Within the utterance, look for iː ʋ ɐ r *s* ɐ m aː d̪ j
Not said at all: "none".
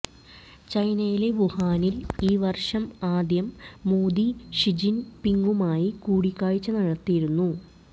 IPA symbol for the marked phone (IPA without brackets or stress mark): ʂ